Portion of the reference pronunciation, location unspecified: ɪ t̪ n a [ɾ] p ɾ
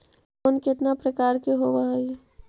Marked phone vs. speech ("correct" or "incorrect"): incorrect